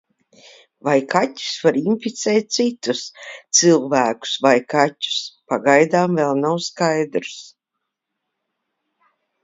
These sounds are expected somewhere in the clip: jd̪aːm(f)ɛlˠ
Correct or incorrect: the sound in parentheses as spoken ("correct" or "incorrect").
incorrect